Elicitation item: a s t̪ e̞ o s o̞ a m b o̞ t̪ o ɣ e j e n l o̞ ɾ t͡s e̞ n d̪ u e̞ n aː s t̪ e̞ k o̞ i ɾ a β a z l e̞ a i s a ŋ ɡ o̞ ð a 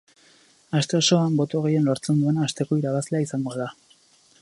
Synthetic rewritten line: a s t̪ e̞ o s o̞ a m b o̞ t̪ o ɣ e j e n l o̞ ɾ t͡s e̞ n d̪ u e̞ n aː s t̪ e̞ k o̞ i ɾ a β a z l e̞ a i s a ŋ ɡ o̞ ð a